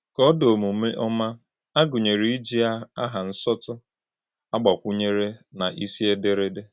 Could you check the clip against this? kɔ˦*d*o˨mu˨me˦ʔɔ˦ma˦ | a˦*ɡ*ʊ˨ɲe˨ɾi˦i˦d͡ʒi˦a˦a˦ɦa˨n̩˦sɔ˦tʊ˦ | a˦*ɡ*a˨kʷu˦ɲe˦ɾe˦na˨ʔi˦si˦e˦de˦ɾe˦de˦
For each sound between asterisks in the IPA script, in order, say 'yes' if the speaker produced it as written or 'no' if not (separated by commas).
yes, yes, no